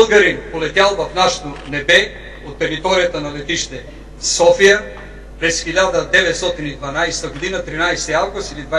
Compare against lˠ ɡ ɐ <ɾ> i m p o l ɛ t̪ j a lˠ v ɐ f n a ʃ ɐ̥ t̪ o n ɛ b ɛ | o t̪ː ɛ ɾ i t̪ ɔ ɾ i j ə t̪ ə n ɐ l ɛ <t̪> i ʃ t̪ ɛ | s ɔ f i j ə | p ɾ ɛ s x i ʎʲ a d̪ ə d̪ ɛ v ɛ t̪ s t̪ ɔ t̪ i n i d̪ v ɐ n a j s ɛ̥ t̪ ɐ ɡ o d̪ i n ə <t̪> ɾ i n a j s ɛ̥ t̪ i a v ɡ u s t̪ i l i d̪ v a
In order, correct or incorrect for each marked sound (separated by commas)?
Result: correct, correct, correct